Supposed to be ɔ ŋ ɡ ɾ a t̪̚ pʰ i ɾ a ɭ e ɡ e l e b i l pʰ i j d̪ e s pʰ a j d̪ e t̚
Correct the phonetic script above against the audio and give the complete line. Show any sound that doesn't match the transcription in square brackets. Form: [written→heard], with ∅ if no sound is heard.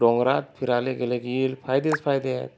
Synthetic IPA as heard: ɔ ŋ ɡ ɾ a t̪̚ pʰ i ɾ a [ɭ→l] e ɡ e l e [b→ɡ] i l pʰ [i→a] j d̪ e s pʰ a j d̪ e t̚